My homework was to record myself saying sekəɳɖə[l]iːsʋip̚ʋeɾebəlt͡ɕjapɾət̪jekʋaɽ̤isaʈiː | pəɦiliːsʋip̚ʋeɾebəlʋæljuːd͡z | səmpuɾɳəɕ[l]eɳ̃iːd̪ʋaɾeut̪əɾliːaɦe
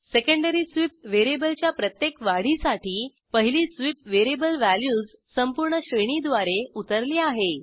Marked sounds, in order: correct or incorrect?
incorrect, incorrect

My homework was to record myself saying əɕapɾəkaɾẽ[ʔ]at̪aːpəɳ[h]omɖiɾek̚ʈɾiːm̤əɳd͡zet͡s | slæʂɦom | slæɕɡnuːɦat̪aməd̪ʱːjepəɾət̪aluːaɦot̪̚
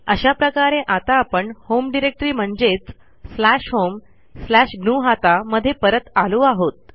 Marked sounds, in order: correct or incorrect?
correct, correct

